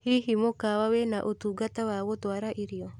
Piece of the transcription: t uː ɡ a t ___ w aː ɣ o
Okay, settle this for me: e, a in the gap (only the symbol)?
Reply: a